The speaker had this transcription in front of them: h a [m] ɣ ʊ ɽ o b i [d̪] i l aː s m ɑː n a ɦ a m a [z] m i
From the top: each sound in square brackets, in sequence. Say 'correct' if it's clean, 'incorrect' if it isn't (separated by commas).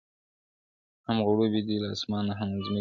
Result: correct, correct, correct